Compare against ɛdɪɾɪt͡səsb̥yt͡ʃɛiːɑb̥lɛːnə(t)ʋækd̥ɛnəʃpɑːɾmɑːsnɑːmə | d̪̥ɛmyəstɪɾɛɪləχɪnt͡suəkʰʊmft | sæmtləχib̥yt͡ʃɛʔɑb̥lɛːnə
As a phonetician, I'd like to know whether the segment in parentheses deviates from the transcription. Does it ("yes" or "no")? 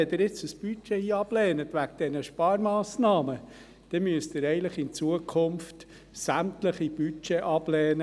no